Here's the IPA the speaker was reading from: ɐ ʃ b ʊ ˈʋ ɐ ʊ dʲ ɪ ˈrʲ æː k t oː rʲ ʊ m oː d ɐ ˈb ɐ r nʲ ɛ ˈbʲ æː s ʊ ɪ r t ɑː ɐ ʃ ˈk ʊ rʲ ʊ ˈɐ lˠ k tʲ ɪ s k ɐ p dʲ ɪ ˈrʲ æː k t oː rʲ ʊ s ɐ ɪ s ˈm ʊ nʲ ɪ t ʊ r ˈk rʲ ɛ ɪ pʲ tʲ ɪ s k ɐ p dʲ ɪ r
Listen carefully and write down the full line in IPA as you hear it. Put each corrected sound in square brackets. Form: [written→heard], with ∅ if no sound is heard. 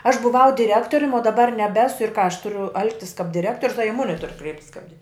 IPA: ɐ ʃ b ʊ ˈʋ ɐ ʊ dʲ ɪ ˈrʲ æː k t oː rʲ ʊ m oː d ɐ ˈb ɐ r nʲ ɛ ˈbʲ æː s ʊ ɪ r [t→k] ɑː ɐ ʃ [ˈk→ˈt] ʊ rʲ ʊ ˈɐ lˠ k tʲ ɪ s k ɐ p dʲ ɪ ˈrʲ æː k t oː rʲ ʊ s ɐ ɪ [s→∅] ˈm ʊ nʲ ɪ t ʊ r ˈk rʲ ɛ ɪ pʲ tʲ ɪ s k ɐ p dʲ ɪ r